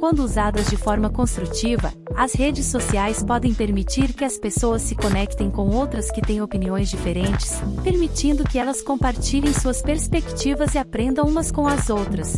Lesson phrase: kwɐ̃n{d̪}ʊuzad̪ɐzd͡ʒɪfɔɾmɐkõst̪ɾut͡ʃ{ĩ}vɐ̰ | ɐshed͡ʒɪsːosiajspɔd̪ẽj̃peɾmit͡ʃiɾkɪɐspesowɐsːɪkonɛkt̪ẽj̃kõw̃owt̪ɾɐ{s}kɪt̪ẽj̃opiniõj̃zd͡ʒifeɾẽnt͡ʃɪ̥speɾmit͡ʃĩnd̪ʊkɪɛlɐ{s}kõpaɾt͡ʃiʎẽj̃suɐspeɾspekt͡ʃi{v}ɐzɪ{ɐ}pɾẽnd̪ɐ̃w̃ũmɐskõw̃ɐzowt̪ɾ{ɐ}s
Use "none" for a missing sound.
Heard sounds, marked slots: d̪, i, s, s, v, a, ɐ

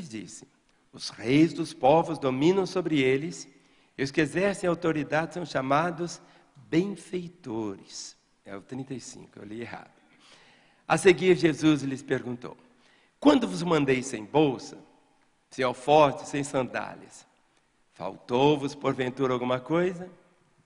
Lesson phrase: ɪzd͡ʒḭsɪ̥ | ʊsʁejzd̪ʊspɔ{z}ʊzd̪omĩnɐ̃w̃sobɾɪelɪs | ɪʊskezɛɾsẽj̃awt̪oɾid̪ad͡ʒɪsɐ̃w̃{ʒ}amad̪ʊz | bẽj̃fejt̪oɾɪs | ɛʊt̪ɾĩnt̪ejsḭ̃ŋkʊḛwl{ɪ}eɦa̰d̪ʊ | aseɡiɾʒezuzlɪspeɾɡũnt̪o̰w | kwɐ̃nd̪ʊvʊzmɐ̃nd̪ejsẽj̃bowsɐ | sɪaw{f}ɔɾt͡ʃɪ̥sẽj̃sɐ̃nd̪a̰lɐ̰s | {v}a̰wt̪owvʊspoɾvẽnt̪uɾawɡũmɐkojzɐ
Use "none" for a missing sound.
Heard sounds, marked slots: v, ʃ, i, f, f

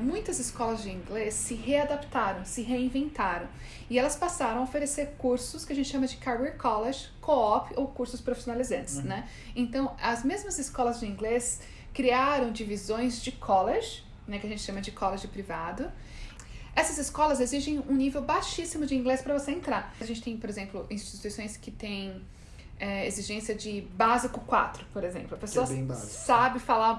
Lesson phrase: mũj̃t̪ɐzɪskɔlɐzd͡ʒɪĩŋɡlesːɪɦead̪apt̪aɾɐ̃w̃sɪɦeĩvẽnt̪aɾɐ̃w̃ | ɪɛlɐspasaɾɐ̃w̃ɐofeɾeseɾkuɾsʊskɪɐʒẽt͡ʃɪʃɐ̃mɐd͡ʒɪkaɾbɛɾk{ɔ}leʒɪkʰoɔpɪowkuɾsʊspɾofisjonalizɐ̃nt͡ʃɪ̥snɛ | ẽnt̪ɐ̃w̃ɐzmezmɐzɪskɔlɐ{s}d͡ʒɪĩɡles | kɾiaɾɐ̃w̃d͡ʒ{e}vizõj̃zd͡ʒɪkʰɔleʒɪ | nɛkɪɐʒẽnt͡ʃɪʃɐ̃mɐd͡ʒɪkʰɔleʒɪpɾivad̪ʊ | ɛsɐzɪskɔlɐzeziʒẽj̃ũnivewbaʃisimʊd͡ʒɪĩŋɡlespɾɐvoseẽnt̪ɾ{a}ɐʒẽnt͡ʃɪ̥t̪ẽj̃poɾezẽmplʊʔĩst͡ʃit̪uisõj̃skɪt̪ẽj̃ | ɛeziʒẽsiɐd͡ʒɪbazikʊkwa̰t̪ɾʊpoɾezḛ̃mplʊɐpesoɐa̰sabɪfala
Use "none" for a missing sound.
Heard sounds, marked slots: ɔ, z, i, a

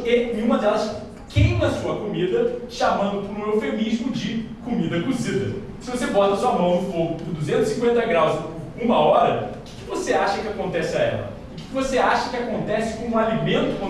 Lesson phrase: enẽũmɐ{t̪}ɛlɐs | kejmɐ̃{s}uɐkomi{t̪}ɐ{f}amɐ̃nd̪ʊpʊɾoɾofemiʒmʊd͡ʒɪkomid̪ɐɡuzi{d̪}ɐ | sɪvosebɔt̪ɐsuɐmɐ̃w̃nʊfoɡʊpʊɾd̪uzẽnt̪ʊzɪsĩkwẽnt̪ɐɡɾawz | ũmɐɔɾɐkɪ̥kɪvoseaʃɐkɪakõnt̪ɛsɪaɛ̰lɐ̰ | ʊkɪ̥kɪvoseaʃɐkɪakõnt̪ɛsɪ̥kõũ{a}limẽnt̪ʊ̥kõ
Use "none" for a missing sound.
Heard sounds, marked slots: d̪, s, d̪, ʃ, d̪, a

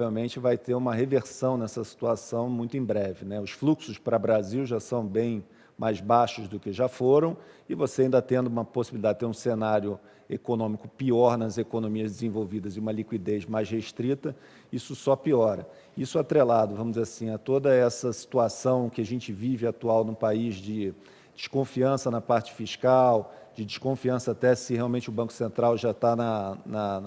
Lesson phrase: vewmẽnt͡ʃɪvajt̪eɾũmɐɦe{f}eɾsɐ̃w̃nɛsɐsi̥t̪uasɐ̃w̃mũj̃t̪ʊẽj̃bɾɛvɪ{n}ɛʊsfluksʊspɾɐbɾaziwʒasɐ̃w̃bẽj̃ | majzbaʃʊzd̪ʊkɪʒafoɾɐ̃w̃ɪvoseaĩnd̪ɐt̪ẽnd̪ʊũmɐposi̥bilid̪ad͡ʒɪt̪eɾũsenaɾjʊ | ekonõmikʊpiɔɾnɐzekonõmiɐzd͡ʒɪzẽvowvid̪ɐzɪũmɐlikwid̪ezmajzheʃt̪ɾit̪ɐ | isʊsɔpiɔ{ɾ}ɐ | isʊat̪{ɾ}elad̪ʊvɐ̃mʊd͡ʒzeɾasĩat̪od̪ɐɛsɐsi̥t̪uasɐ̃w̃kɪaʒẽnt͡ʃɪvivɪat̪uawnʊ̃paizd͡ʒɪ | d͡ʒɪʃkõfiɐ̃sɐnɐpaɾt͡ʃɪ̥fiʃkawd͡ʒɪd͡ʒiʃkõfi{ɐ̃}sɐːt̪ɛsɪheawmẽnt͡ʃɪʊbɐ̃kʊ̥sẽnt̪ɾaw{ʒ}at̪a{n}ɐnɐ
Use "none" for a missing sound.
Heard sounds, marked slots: v, n, ɾ, ɾ, ɐ̃, ʒ, n

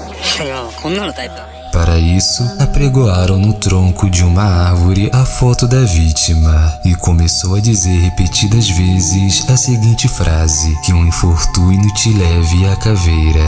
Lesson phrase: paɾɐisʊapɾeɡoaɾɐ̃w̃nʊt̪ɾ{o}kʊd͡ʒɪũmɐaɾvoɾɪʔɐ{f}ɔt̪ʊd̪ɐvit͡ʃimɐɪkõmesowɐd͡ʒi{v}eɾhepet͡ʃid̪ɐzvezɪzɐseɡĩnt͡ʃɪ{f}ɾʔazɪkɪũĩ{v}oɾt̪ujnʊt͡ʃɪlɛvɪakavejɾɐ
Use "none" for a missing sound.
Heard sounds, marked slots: õ, f, z, f, f

